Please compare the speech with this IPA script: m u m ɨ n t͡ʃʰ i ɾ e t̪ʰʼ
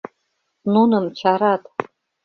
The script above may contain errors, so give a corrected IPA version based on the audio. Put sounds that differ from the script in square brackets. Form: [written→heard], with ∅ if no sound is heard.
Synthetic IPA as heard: [m→n] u [m→n] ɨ [n→m] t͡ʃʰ [i→a] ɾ [e→a] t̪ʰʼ